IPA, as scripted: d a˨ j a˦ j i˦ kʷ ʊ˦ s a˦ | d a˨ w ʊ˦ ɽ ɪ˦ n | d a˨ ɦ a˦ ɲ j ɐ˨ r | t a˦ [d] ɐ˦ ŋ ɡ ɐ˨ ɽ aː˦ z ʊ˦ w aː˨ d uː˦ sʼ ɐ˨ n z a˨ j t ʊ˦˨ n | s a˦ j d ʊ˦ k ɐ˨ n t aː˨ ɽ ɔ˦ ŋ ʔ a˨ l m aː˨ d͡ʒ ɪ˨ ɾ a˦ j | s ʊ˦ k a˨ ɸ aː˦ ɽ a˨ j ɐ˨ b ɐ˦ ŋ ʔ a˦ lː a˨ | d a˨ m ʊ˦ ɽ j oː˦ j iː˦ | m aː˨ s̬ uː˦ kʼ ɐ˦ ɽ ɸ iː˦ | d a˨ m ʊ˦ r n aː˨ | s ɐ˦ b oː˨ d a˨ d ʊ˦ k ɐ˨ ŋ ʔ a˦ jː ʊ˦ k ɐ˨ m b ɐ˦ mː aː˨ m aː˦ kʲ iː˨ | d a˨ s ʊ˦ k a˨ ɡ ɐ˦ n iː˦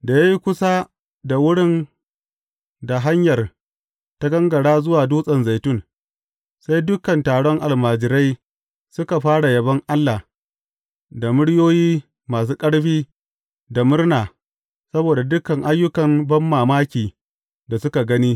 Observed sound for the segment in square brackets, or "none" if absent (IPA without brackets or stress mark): ɡ